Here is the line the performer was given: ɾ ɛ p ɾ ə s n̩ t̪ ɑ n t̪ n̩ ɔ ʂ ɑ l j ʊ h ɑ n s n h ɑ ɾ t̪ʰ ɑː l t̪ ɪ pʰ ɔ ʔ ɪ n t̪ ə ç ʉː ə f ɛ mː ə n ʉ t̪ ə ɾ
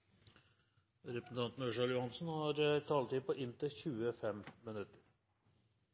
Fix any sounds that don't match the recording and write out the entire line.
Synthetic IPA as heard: ɾ ɛ p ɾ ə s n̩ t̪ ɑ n t̪ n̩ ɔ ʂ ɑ l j ʊ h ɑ n s n h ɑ ɾ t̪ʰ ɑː l t̪ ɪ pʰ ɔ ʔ ɪ n t̪ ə ç ʉː ə f ɛ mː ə n ʉ t̪ ə ɾ